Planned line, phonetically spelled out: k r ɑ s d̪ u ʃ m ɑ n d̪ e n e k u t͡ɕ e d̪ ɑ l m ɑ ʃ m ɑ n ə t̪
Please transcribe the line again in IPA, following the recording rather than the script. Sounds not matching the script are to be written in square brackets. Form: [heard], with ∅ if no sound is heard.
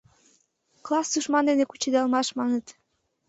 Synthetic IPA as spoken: k [l] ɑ s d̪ u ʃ m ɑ n d̪ e n e k u t͡ɕ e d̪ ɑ l m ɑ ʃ m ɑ n ə t̪